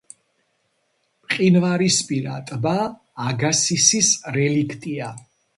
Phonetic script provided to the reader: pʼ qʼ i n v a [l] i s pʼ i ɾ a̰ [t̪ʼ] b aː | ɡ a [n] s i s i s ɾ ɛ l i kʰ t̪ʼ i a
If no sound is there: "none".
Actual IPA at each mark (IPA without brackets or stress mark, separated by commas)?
ɾ, t̪ʼ, none